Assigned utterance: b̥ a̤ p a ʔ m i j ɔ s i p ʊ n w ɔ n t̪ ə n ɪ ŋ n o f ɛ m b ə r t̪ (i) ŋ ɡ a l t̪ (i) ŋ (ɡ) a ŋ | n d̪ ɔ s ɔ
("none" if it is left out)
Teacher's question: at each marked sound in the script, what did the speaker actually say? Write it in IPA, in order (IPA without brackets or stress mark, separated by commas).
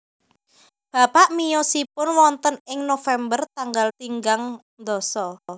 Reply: a, i, ɡ